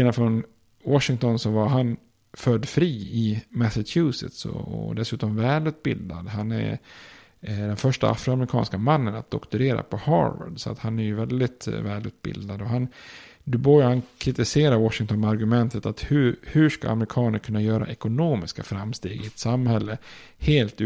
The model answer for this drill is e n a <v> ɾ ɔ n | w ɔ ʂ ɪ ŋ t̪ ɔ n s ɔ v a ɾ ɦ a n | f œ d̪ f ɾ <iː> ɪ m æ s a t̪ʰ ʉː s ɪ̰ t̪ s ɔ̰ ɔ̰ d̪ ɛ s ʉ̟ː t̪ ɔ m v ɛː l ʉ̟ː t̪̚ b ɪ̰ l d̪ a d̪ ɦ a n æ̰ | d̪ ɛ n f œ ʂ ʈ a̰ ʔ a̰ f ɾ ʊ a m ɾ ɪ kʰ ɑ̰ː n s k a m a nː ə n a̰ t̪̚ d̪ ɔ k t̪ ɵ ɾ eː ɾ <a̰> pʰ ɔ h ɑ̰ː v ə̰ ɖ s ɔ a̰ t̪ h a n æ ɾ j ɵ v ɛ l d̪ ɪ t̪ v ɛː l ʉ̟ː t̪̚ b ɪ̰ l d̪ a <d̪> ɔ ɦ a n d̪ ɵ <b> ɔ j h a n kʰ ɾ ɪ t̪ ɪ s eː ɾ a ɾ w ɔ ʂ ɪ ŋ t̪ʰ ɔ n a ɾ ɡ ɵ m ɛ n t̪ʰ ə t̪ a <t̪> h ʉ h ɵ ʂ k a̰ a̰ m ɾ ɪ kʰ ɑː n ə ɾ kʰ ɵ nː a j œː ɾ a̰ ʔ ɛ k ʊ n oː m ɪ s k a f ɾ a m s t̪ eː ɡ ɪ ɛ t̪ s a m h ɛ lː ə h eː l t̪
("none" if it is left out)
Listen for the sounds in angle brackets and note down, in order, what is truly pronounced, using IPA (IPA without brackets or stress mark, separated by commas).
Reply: f, iː, a̰, d̪, b, t̪